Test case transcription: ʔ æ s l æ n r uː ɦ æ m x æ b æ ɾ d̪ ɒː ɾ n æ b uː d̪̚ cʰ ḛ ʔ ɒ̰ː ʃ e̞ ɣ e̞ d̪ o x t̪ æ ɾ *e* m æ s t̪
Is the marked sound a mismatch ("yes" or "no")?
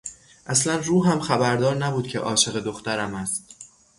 yes